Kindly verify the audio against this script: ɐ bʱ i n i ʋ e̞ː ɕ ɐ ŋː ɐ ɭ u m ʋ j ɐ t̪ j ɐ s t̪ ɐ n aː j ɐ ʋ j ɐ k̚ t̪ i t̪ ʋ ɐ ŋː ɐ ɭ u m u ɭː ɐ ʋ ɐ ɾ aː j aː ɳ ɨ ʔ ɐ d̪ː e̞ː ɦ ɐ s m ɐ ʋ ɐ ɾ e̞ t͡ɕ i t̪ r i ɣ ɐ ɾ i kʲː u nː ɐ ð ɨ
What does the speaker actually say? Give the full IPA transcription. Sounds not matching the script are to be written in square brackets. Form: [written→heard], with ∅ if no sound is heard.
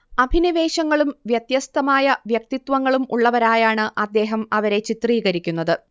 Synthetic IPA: ɐ bʱ i n i ʋ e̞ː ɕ ɐ ŋː ɐ ɭ u m ʋ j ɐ t̪ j ɐ s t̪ ɐ [n→m] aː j ɐ ʋ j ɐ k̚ t̪ i t̪ ʋ ɐ ŋː ɐ ɭ u m u ɭː ɐ ʋ ɐ ɾ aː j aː ɳ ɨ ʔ ɐ d̪ː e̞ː ɦ ɐ [s→∅] m ɐ ʋ ɐ ɾ e̞ t͡ɕ i t̪ r [i→iː] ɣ ɐ ɾ i kʲː u nː ɐ ð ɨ